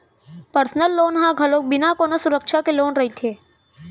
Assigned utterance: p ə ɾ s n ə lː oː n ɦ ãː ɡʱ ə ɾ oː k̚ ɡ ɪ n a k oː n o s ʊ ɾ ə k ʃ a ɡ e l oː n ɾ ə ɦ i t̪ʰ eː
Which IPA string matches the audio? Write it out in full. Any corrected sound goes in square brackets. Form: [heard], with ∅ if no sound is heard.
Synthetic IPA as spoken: p ə ɾ s n ə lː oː n ɦ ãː ɡʱ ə [l] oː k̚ [b] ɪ n a k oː n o s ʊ ɾ ə k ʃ a [k] e l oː n ɾ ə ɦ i t̪ʰ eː

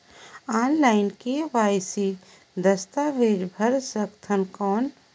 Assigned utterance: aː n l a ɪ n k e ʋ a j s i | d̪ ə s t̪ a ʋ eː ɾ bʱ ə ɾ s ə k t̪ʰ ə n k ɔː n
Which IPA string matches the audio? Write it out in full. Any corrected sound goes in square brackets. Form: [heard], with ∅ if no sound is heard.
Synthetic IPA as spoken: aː n l a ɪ n k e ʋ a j s i | d̪ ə s t̪ a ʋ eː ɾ bʱ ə ɾ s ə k t̪ʰ ə n k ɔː n

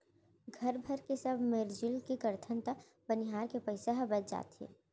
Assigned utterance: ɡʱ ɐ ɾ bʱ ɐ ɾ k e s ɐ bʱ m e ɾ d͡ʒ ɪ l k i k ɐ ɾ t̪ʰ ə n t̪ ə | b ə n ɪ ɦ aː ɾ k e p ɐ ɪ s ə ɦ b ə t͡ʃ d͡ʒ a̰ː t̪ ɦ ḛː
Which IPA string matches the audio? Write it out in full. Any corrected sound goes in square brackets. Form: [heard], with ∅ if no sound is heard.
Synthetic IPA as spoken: ɡʱ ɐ ɾ bʱ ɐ ɾ k e s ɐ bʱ m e ɾ d͡ʒ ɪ l k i k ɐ ɾ t̪ʰ ə n t̪ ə | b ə n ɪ ɦ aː ɾ k e p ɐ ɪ s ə ɦ b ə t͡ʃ d͡ʒ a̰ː t̪ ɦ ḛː

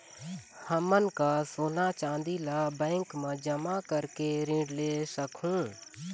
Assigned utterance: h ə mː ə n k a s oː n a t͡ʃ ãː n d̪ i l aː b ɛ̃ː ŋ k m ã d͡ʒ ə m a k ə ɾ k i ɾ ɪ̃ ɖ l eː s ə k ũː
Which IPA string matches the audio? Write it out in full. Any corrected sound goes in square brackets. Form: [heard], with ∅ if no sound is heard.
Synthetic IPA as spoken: h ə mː ə n k a s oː n a t͡ʃ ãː n d̪ i l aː b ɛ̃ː ŋ k m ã d͡ʒ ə m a k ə ɾ k [e] ɾ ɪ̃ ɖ l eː s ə k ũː

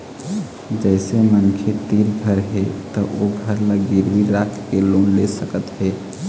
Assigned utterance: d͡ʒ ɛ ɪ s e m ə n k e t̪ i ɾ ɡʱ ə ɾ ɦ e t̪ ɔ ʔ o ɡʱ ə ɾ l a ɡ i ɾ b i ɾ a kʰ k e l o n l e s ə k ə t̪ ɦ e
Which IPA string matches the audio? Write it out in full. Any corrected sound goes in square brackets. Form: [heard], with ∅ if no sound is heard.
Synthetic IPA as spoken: d͡ʒ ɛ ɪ s e m ə n [kʰ] e t̪ i ɾ ɡʱ ə ɾ ɦ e t̪ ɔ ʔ o ɡʱ ə ɾ l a ɡ i ɾ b i ɾ a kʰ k e l o n l e s ə k ə t̪ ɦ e

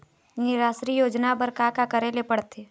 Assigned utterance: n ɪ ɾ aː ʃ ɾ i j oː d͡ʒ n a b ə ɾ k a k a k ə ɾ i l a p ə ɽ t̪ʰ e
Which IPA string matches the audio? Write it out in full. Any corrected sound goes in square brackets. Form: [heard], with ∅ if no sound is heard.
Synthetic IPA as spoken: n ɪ ɾ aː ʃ ɾ i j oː d͡ʒ n a b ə ɾ k a k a k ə ɾ [e] l [e] p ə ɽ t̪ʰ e

